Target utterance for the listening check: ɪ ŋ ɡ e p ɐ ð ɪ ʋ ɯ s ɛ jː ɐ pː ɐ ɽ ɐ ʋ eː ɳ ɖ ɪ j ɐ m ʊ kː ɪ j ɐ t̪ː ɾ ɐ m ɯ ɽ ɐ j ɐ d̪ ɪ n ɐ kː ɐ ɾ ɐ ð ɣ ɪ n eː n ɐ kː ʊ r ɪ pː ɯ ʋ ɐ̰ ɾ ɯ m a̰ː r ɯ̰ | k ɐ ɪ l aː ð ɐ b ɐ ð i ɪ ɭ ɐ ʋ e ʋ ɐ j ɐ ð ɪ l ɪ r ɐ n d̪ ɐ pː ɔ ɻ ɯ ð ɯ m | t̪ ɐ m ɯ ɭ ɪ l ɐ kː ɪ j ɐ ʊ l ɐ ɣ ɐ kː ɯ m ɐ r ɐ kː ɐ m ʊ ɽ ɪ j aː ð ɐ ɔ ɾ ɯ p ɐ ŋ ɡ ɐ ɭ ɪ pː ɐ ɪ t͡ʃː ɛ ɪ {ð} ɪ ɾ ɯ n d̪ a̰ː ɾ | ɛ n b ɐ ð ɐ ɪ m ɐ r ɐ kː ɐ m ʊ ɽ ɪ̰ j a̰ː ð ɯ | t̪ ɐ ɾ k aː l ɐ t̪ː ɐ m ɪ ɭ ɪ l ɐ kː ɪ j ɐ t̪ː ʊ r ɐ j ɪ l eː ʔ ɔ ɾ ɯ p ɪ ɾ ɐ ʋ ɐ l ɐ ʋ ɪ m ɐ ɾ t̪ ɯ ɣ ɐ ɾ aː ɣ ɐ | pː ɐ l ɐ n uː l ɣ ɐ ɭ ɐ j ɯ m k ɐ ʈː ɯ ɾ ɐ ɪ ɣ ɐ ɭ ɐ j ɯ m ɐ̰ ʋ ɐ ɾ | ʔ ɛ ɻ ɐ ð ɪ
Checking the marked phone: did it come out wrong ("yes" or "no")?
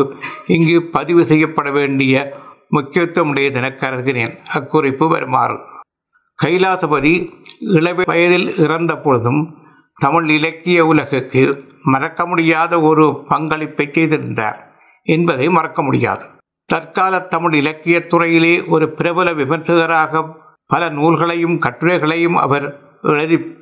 no